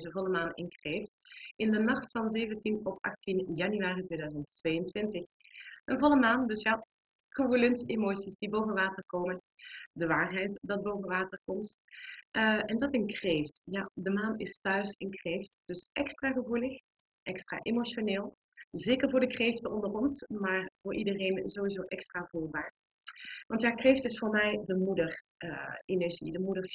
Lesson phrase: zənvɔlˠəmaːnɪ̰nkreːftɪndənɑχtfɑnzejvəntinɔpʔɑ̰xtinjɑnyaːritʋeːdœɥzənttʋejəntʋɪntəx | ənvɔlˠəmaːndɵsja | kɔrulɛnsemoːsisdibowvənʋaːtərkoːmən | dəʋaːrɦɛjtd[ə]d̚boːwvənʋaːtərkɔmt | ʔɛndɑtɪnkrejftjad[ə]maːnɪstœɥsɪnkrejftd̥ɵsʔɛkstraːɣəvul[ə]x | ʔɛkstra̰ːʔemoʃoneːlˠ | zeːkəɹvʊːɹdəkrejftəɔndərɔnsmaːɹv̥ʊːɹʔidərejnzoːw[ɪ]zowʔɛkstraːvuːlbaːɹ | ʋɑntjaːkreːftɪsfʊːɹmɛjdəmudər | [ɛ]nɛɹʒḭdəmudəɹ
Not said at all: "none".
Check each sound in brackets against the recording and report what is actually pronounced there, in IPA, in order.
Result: ɑ, ə, ə, i, e

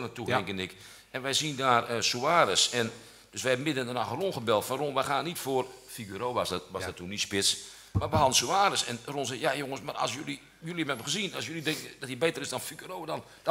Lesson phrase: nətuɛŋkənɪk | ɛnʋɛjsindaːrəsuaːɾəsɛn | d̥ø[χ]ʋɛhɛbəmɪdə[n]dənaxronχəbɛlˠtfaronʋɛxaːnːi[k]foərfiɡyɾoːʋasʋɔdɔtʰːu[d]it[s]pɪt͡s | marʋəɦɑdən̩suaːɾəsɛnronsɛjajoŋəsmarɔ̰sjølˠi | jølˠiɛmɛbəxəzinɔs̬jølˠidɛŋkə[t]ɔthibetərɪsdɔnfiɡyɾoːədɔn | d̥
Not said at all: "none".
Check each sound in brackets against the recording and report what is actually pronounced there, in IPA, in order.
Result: s, n, t, n, s, d

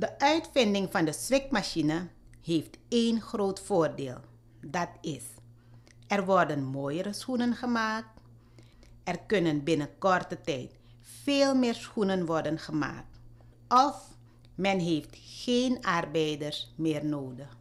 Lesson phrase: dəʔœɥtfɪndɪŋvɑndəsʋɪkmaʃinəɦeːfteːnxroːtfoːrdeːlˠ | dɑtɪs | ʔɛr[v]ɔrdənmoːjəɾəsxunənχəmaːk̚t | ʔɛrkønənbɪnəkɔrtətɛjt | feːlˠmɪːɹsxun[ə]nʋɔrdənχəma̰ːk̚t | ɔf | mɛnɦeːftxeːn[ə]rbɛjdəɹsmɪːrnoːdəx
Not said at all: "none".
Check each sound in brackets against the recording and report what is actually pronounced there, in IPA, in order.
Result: ʋ, ə, ɑ

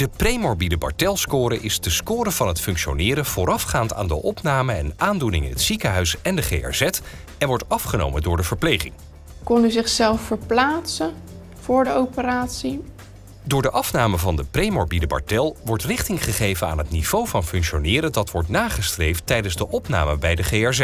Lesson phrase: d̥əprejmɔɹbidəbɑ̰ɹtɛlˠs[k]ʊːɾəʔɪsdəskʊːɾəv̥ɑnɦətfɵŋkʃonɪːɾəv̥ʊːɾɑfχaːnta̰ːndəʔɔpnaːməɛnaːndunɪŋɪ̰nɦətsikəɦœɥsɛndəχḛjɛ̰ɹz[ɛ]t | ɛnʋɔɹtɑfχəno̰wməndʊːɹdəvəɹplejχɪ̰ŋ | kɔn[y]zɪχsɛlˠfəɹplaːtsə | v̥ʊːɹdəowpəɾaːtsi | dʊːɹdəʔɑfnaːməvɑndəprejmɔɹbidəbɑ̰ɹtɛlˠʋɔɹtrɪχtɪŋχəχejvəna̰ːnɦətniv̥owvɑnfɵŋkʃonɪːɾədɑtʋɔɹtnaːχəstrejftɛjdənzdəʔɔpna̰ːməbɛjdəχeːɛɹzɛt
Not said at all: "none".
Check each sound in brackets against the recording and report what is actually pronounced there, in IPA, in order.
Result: k, ɛ, y

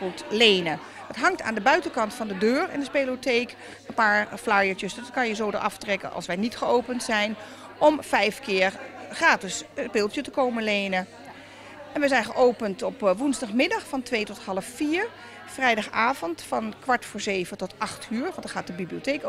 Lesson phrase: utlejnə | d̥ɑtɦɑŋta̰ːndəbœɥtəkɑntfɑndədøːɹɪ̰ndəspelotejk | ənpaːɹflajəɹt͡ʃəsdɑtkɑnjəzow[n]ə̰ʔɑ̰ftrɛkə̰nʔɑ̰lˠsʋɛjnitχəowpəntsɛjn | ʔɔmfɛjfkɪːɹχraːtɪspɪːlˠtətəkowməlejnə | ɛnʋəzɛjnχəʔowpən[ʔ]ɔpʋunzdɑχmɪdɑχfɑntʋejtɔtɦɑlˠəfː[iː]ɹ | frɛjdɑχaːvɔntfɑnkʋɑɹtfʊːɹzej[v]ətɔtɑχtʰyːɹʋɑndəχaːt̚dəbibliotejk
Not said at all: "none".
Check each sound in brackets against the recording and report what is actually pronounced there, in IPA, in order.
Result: d, t, iː, v

